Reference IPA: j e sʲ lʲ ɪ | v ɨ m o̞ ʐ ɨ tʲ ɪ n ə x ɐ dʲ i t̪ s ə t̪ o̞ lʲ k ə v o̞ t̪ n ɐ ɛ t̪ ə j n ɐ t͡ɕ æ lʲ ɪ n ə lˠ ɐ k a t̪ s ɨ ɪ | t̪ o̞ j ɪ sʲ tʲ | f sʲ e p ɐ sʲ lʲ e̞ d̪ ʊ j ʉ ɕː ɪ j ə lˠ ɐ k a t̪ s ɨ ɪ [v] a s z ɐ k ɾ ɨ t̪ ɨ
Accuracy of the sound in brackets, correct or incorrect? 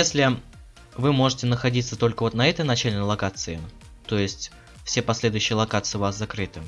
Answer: correct